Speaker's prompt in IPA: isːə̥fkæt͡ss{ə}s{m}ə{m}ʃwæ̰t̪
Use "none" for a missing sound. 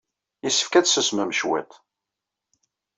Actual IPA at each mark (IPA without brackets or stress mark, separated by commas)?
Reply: ə, m, m